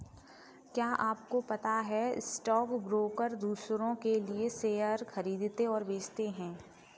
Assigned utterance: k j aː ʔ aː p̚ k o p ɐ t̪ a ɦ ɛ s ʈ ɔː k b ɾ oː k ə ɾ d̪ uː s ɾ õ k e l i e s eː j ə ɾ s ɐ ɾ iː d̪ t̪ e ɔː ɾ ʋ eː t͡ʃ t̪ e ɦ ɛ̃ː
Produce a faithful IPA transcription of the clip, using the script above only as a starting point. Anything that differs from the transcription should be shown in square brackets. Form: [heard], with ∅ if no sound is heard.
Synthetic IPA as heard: k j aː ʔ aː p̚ k o p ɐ t̪ a ɦ ɛ s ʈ ɔː k b ɾ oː k ə ɾ d̪ uː s ɾ õ k e l i e s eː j ə ɾ [x] ɐ ɾ iː d̪ t̪ e ɔː ɾ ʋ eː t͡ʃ t̪ e ɦ ɛ̃ː